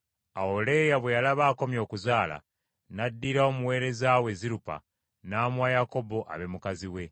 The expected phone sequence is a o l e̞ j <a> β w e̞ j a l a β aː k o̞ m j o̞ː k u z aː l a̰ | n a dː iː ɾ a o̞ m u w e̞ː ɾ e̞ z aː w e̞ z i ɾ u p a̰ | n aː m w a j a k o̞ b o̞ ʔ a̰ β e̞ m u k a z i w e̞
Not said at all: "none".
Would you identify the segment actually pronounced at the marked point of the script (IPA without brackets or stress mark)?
a